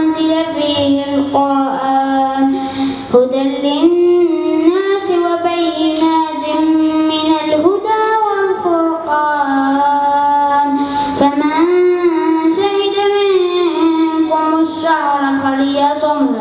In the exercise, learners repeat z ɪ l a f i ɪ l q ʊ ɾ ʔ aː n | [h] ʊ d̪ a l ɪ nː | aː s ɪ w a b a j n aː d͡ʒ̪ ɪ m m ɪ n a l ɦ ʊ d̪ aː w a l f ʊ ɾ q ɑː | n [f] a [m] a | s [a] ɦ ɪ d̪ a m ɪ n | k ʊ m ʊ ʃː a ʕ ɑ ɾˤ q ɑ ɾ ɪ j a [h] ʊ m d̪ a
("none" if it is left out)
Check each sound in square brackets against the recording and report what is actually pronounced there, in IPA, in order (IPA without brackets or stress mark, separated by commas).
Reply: h, f, m, a, s